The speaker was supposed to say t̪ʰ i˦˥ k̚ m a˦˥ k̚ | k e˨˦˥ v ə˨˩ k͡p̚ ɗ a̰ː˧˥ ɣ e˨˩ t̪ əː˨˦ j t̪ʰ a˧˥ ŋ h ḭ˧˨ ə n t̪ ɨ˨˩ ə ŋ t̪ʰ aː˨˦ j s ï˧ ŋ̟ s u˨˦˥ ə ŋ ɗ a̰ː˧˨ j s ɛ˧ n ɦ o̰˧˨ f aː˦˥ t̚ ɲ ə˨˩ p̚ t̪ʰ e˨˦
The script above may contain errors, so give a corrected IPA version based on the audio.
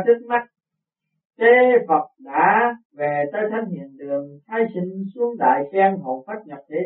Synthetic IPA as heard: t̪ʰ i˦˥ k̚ m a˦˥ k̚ | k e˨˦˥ v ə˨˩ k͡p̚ ɗ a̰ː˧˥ v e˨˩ t̪ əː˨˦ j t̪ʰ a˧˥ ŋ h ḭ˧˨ ə n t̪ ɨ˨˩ ə ŋ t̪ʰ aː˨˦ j s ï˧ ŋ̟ s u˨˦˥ ə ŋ ɗ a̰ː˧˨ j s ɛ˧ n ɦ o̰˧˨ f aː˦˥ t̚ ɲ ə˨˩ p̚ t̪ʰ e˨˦